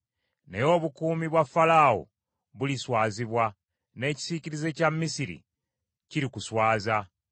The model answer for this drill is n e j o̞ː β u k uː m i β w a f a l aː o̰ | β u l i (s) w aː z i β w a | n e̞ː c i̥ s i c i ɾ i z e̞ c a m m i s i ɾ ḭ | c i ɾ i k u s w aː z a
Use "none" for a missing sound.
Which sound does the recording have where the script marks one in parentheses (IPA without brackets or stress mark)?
s